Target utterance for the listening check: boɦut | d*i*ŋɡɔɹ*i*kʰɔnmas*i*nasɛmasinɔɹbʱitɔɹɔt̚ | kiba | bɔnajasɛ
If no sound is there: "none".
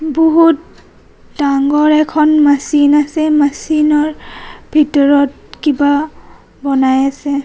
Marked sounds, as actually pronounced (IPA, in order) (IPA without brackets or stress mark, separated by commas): a, ɛ, i